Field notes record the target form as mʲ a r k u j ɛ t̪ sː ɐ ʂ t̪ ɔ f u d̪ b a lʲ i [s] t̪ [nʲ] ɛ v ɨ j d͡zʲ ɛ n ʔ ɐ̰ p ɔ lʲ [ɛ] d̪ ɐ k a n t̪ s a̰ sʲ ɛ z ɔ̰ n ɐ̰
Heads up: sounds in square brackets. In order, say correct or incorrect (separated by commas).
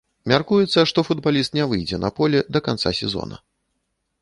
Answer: correct, correct, correct